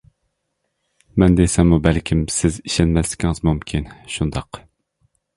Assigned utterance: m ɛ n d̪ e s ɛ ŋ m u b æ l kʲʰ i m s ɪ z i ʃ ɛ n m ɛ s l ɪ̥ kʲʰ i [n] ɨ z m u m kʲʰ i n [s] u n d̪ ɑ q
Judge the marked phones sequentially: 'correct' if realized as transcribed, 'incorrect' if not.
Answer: incorrect: ŋ, incorrect: ʃ

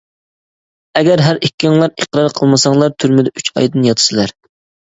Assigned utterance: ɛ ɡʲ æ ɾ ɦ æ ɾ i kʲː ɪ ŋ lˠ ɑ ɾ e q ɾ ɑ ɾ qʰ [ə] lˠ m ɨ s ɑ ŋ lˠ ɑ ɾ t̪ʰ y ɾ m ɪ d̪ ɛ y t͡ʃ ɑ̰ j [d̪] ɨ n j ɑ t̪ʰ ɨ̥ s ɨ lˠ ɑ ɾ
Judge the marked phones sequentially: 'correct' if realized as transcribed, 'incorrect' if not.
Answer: correct, correct

